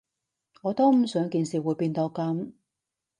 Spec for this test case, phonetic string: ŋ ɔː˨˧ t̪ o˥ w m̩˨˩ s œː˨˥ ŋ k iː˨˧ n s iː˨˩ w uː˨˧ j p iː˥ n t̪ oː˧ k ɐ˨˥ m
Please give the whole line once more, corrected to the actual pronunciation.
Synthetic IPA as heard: ŋ ɔː˨˧ t̪ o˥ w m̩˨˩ s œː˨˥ ŋ k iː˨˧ n s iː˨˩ w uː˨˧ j p iː˧ n t̪ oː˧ k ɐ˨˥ m

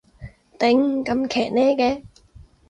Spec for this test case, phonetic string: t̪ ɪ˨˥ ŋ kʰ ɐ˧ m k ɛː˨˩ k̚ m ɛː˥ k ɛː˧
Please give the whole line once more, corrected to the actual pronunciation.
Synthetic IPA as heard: t̪ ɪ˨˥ ŋ k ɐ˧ m kʰ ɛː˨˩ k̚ n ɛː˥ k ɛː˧

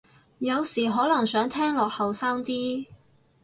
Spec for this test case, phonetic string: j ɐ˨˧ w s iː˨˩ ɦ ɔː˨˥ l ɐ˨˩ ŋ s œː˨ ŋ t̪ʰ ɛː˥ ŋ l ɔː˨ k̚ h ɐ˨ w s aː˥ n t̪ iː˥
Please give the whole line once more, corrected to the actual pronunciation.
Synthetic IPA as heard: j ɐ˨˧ w s iː˨˩ ɦ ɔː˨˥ l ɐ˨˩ ŋ s œː˨˥ ŋ t̪ʰ ɛː˥ ŋ l ɔː˨ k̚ h ɐ˨ w s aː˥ ŋ t̪ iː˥

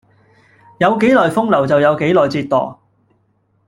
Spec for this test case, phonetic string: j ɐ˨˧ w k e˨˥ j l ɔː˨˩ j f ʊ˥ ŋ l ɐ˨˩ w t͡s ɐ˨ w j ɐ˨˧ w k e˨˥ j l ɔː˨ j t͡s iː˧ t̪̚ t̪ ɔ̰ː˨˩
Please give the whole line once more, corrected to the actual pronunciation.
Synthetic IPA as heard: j ɐ˨˧ w k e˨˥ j l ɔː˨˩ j f ʊ˥ ŋ l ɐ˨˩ w t͡s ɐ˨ w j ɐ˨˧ w k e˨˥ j l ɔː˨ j t͡s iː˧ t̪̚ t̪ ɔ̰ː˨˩

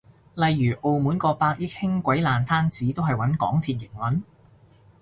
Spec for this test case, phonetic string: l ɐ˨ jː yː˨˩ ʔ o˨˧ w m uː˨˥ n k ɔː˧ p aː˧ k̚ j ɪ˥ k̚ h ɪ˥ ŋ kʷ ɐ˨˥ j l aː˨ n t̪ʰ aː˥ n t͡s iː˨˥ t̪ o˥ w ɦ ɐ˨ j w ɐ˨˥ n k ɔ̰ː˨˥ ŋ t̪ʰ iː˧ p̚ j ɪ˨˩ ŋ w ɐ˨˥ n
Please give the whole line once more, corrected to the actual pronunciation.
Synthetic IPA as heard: l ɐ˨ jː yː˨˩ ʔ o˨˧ w m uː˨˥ n k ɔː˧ p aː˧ k̚ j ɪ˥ k̚ h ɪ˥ ŋ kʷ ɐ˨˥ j l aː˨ n t̪ʰ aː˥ n t͡s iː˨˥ t̪ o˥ w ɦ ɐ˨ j w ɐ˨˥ n k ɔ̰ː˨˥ ŋ t̪ʰ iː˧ t̚ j ɪ˨˩ ŋ w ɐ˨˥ n

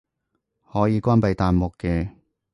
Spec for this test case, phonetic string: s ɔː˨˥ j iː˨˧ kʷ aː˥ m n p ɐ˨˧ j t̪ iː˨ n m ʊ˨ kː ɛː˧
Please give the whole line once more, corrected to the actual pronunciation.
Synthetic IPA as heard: h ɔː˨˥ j iː˨˧ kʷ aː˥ n p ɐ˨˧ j t̪ aː˨ n m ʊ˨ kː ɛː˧

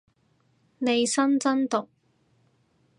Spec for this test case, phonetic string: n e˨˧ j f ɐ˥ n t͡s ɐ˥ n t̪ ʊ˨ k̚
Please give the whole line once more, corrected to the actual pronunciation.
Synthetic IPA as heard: n e˨˧ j s ɐ˥ n t͡s ɐ˥ n t̪ ʊ˨ k̚

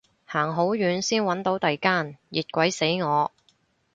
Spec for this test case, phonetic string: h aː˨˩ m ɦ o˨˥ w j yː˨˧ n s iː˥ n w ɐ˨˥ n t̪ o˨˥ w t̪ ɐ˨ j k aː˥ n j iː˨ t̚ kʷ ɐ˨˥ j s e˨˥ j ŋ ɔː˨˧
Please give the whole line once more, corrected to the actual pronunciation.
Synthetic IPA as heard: h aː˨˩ ŋ ɦ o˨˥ w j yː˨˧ n s iː˥ n w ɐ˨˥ n t̪ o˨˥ w t̪ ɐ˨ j k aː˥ n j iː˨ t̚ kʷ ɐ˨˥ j s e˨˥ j ŋ ɔː˨˧

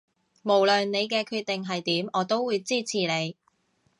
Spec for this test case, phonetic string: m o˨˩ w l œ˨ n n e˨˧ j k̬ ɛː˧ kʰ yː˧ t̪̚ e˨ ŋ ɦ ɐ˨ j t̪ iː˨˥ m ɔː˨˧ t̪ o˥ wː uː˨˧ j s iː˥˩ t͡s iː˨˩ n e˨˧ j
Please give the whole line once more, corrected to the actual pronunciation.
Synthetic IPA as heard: m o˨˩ w l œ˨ n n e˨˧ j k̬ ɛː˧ kʰ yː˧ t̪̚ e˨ ŋ ɦ ɐ˨ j t̪ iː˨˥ m ɔː˨˧ t̪ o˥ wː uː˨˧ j t͡s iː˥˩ t͡sʰ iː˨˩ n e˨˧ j

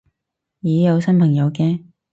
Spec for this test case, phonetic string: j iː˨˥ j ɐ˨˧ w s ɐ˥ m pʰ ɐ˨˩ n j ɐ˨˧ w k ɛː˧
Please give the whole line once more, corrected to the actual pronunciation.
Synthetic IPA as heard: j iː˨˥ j ɐ˨˧ w s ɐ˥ n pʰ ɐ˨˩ ŋ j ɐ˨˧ w k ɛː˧

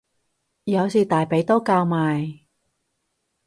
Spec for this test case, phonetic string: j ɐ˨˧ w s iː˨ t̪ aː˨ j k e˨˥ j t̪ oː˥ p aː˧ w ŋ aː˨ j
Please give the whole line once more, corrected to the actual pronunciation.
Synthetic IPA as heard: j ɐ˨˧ w s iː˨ t̪ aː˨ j p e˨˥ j t̪ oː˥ k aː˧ w m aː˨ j

